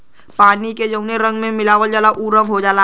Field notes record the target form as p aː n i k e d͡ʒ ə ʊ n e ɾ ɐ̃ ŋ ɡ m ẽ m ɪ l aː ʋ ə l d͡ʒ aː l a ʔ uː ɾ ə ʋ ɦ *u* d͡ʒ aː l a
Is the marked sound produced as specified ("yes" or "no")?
no